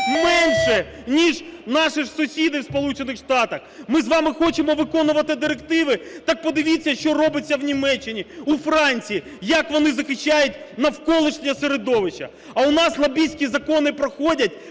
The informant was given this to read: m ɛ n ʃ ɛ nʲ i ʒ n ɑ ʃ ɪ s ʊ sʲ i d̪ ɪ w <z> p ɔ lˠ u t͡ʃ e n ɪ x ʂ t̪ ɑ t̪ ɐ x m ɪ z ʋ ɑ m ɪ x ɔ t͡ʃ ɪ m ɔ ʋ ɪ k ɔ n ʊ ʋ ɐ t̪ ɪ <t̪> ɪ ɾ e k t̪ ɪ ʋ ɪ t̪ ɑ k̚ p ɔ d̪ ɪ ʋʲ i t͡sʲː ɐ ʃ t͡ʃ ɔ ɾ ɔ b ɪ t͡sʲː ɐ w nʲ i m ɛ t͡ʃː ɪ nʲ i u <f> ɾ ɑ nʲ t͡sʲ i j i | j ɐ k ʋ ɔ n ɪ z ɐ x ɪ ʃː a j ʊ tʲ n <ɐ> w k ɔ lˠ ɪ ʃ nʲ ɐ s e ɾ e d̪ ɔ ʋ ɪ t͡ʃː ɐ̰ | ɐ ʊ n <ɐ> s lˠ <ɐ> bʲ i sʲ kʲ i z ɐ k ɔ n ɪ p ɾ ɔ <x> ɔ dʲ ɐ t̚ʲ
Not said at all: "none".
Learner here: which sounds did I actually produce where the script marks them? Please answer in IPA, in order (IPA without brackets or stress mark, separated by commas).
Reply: s, d̪, f, ɐ, ɑ, ɐ, x